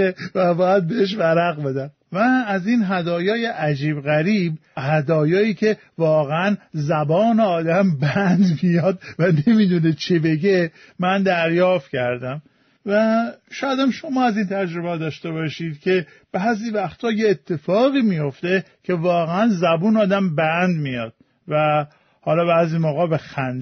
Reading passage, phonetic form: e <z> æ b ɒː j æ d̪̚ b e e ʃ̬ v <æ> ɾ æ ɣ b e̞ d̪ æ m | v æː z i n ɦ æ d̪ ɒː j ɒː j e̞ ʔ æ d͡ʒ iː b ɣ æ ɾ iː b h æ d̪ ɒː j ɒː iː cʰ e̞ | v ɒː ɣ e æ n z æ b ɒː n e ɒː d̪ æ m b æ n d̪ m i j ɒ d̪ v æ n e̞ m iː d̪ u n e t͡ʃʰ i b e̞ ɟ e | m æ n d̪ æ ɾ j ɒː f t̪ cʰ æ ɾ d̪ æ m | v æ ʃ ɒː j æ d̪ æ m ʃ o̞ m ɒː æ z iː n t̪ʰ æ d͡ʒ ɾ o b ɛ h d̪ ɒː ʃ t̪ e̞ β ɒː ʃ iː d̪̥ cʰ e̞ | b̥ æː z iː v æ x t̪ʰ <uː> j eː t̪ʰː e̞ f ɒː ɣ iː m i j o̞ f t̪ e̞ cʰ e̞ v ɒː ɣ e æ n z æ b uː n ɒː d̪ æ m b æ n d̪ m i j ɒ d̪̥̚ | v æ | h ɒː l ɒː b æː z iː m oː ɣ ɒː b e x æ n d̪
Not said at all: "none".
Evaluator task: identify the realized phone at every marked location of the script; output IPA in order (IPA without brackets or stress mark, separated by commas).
v, æ, ɒː